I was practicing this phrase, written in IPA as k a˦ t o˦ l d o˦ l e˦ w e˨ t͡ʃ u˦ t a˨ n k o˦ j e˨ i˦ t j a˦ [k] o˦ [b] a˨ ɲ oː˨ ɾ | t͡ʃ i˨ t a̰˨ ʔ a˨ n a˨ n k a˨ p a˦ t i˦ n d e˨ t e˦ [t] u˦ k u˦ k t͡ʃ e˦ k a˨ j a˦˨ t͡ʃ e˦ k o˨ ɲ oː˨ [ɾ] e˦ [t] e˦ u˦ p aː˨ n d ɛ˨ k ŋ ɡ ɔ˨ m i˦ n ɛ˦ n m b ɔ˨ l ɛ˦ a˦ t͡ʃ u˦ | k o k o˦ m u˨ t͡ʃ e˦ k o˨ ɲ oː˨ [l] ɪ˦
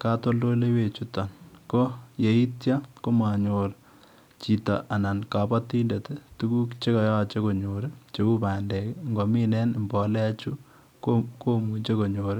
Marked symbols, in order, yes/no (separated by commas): yes, no, yes, yes, no, no